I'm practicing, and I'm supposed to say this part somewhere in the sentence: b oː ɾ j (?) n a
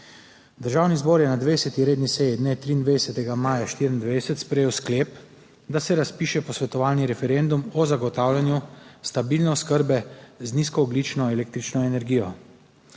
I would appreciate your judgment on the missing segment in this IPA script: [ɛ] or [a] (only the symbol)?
ɛ